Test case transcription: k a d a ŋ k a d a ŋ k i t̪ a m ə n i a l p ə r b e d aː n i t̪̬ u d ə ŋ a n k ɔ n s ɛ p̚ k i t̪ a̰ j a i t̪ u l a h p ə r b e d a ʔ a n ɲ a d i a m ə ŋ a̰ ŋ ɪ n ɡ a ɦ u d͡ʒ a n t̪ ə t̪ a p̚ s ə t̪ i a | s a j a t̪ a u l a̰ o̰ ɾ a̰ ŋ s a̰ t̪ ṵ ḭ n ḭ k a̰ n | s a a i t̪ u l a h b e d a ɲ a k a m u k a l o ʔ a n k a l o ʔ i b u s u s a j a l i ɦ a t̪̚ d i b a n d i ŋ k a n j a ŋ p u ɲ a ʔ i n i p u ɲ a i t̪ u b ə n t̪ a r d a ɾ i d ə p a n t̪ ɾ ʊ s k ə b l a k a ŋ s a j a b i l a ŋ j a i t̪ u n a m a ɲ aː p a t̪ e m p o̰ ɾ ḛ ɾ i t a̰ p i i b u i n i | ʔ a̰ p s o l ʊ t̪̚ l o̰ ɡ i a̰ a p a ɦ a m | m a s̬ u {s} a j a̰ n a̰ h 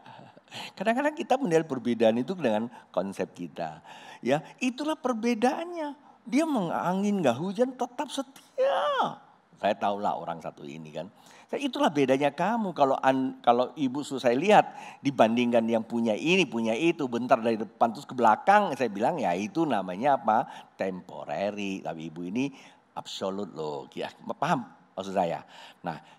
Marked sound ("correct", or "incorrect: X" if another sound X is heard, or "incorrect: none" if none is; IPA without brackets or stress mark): correct